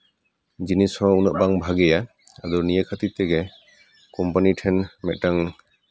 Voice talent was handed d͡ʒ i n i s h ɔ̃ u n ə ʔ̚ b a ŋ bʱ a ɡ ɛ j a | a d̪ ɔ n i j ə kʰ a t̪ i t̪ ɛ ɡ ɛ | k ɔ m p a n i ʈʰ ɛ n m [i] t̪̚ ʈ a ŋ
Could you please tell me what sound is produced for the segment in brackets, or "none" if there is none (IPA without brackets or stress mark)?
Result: ɛ